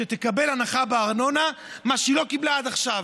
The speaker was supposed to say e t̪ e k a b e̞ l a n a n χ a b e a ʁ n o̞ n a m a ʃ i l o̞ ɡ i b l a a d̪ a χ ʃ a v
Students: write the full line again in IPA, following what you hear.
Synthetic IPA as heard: e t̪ e k a b e̞ l a n a χ a b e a ʁ n o̞ n a m a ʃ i l o̞ k i b l a a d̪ a χ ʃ a v